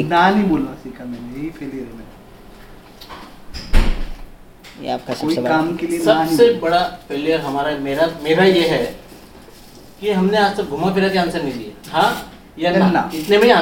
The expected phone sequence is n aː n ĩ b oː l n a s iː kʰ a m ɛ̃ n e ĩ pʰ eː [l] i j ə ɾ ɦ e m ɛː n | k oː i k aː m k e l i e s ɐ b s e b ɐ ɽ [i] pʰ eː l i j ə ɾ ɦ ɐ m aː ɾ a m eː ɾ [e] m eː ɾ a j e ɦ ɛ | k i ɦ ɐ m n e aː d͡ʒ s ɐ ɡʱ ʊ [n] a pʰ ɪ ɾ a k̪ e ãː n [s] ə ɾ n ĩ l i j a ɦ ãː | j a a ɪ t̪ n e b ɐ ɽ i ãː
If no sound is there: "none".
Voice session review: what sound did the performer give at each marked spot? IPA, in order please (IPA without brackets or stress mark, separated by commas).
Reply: l, a, a, m, s